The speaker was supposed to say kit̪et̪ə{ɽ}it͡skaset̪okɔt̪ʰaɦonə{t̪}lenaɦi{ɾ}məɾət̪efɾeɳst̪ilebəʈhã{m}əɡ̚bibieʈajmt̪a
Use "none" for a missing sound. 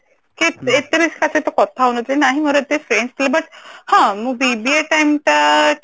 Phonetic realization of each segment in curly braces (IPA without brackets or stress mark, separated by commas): ɾ, t̪, none, m